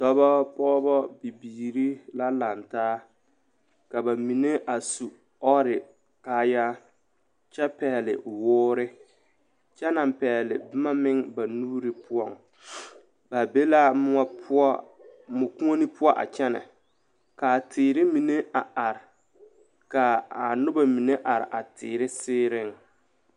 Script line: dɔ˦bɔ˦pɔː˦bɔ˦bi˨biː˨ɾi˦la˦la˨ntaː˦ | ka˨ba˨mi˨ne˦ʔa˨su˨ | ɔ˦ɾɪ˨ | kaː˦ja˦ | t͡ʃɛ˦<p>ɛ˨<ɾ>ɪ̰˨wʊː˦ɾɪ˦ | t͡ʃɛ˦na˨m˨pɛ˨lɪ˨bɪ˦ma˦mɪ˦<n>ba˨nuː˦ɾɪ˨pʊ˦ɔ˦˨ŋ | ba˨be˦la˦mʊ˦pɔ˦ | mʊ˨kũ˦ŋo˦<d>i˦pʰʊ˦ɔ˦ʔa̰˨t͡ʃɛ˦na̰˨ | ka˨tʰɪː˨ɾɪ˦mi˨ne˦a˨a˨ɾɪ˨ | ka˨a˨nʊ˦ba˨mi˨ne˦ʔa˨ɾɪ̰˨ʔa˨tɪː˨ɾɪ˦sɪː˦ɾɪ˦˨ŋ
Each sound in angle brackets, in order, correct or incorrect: correct, incorrect: l, incorrect: ŋ, incorrect: n

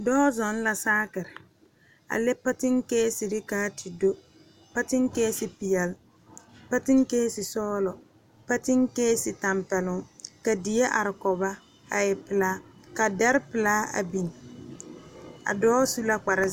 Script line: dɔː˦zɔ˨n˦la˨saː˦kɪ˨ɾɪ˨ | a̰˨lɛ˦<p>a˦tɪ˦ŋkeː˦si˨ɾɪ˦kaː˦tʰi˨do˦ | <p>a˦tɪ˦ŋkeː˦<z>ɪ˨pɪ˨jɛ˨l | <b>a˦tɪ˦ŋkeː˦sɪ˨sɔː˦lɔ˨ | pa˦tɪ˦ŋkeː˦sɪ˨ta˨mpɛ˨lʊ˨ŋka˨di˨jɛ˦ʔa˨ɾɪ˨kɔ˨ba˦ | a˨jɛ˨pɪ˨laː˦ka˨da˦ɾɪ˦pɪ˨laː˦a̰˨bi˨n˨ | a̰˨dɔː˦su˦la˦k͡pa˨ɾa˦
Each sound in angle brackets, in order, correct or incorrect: correct, correct, incorrect: s, incorrect: p

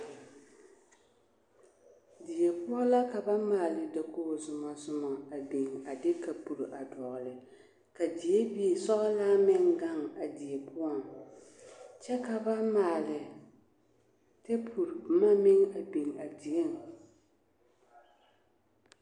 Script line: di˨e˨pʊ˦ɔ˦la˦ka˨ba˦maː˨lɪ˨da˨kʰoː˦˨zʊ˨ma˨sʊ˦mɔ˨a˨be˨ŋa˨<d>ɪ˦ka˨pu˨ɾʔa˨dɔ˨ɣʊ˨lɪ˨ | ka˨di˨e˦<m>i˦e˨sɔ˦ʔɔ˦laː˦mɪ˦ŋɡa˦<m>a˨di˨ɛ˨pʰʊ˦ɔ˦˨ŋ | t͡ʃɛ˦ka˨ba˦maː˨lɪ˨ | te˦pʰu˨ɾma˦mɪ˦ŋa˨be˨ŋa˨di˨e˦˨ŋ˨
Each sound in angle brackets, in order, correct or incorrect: correct, incorrect: b, incorrect: ŋ

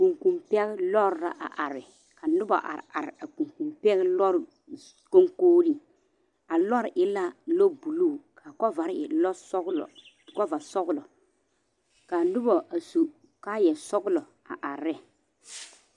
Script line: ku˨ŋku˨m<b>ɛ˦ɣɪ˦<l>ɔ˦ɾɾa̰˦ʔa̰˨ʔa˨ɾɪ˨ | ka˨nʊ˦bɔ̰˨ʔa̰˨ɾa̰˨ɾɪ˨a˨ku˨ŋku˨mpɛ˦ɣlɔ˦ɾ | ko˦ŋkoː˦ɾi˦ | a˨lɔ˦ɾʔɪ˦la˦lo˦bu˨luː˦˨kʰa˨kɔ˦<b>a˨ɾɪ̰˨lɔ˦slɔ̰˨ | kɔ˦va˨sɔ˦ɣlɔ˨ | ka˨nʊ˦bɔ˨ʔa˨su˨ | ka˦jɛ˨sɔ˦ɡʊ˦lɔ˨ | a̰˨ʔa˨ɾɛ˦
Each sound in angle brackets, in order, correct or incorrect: incorrect: p, correct, incorrect: v

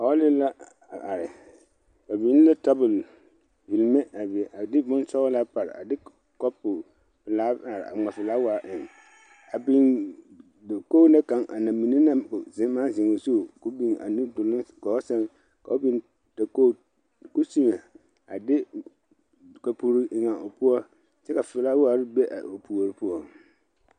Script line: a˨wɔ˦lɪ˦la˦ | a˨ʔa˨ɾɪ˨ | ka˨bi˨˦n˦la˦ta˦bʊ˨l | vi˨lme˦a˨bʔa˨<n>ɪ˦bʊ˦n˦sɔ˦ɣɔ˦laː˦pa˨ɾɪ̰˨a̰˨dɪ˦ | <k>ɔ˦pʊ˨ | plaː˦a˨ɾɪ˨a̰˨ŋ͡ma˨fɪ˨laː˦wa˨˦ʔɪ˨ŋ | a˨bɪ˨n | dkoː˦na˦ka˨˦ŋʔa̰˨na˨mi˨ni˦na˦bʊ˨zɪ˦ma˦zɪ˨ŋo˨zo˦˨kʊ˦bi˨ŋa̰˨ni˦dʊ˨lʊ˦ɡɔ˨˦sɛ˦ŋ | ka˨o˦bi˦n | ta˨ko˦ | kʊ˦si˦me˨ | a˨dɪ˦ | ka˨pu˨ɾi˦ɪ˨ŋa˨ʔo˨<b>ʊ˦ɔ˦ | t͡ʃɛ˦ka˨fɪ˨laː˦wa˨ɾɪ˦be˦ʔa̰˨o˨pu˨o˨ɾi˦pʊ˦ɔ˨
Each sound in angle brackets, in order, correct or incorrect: incorrect: d, correct, incorrect: p

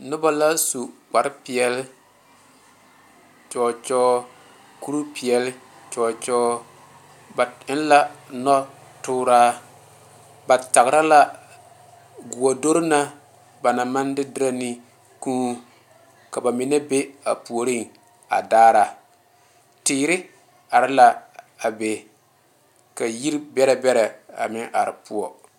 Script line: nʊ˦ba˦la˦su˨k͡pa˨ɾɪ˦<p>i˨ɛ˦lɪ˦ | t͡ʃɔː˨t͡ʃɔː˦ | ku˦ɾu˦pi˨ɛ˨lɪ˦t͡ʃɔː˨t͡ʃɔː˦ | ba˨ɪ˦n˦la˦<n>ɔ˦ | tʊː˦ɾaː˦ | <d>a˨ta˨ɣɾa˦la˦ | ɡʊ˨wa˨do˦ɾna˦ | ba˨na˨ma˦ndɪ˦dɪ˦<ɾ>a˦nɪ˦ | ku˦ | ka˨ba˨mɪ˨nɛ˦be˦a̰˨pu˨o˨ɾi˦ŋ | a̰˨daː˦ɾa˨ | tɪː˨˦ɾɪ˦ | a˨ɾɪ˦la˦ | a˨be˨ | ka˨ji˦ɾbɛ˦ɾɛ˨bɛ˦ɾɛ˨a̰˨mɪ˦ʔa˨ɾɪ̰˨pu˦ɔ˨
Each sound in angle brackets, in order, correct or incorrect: correct, correct, incorrect: b, correct

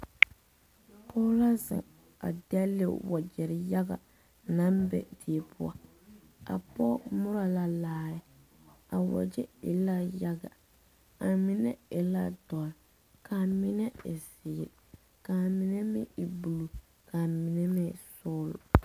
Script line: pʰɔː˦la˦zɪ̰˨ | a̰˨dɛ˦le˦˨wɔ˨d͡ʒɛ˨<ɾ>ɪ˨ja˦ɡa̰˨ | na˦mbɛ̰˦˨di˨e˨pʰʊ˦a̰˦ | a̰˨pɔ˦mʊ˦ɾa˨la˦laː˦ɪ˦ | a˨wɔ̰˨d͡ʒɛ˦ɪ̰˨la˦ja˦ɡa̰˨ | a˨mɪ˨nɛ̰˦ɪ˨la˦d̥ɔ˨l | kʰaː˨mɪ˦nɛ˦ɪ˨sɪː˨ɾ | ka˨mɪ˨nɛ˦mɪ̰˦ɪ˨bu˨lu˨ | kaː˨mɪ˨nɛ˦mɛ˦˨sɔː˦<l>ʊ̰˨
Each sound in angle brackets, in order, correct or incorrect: correct, correct

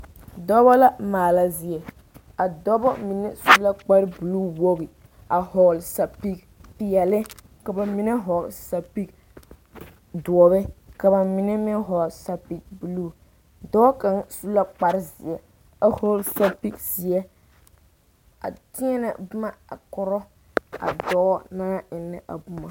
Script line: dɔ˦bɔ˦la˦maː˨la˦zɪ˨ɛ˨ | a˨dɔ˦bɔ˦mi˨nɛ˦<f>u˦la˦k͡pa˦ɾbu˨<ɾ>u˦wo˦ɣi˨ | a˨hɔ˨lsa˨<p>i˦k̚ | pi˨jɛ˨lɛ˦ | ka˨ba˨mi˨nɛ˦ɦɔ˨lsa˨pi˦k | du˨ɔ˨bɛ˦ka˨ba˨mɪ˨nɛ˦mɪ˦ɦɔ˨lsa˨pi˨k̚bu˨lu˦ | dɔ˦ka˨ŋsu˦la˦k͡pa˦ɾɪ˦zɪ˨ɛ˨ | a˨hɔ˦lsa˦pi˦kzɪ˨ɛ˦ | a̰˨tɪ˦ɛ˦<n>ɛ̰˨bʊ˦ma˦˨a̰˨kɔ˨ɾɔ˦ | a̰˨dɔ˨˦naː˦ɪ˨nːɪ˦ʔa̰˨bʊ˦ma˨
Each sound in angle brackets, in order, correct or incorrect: incorrect: s, incorrect: l, correct, correct

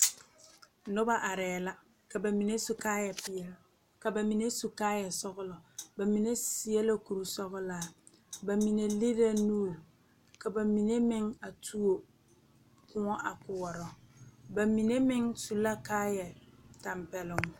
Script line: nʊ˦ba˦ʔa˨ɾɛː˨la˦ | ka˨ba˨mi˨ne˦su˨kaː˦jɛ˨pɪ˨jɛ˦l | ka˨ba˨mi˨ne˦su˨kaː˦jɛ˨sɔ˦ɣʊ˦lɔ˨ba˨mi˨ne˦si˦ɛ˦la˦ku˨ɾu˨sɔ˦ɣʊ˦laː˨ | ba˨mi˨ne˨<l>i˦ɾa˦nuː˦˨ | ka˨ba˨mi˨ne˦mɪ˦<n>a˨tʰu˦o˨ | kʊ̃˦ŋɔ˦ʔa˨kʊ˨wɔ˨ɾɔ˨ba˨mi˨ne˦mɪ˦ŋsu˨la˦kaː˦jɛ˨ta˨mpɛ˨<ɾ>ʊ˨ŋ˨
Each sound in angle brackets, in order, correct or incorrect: correct, incorrect: ŋ, incorrect: l

